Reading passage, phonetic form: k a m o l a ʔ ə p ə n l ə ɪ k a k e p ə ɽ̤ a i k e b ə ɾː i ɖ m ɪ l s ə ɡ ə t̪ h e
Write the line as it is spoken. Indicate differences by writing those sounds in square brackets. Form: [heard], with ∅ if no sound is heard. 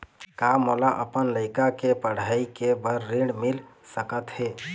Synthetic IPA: k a m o l a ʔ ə p ə n l ə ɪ k a k e p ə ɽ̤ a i k e b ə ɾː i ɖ m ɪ l s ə [k] ə t̪ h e